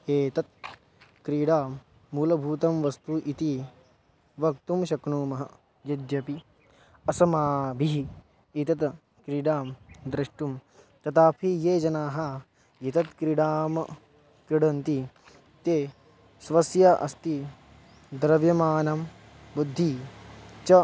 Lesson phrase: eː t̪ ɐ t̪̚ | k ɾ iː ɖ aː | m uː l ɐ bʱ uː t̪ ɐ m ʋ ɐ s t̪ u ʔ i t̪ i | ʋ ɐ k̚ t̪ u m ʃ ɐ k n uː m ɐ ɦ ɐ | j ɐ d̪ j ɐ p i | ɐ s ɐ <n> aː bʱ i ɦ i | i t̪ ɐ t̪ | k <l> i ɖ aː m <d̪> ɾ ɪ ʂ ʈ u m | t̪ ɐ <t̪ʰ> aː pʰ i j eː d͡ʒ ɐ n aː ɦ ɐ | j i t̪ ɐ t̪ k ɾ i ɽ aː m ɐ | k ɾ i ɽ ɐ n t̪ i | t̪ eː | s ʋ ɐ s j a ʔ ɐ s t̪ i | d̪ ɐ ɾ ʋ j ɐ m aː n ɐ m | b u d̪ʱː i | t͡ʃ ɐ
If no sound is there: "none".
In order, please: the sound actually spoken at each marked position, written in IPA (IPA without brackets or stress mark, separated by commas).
m, ɾ, d̪, t̪